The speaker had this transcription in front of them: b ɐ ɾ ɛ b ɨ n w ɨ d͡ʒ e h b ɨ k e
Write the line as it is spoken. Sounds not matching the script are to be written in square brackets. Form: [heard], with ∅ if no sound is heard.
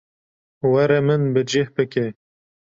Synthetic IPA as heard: [w] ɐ ɾ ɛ [m] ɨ n [b] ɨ d͡ʒ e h b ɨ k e